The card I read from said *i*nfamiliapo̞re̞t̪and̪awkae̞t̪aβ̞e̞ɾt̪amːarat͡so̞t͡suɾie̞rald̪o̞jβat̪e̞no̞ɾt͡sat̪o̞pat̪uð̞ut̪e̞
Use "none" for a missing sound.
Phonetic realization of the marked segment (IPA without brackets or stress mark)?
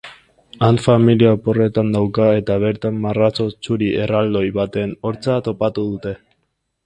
a